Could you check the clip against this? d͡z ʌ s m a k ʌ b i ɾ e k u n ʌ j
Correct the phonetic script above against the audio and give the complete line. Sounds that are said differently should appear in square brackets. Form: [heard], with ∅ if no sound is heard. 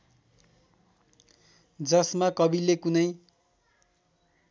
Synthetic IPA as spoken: d͡z ʌ s m a k ʌ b i [l] e k u n ʌ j